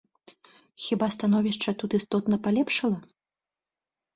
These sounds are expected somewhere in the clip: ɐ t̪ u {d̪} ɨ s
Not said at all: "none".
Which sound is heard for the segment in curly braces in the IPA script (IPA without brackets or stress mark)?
t̪